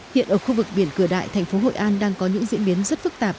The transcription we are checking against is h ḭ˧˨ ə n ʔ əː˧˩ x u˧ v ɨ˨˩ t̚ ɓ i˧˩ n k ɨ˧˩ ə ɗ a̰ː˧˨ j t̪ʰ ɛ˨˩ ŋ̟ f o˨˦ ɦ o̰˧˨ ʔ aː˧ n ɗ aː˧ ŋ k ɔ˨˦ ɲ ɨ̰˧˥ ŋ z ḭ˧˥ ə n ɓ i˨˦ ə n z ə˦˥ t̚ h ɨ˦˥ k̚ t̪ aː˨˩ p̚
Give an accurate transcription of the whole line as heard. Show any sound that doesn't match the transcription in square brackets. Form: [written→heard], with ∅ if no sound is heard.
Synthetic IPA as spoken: h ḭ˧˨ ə n ʔ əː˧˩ x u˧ v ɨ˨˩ [t̚→k̚] ɓ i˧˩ n k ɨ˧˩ ə ɗ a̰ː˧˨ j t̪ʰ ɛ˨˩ ŋ̟ f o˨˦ ɦ o̰˧˨ ʔ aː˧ n ɗ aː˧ ŋ k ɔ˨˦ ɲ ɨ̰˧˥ ŋ z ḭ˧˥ ə n ɓ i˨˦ ə n z ə˦˥ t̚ [h→f] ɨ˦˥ k̚ t̪ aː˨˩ p̚